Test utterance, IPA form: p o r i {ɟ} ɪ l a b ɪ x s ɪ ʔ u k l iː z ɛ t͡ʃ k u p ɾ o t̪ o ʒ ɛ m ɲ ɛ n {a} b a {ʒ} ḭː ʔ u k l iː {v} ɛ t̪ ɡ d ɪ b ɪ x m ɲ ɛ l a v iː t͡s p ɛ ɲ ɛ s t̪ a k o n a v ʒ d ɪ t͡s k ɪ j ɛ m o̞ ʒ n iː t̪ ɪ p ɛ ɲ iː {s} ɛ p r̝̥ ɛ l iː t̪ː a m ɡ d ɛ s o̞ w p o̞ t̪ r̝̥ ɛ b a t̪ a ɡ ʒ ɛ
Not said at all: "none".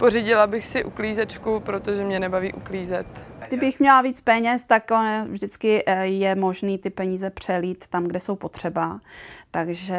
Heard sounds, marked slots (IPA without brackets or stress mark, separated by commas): ɟ, ɛ, v, z, z